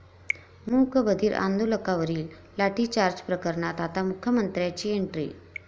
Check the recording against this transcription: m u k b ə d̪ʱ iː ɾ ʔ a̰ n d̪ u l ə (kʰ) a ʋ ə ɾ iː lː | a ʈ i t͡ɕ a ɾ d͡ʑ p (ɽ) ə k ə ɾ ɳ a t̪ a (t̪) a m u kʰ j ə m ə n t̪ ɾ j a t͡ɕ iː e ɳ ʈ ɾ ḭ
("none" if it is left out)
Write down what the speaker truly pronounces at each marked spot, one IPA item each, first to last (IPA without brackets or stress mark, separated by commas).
k, ɾ, t̪